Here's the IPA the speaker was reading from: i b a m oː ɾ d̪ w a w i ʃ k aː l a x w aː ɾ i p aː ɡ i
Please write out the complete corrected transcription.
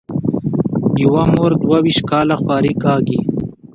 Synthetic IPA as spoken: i w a m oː ɾ d̪ w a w i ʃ k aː l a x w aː ɾ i k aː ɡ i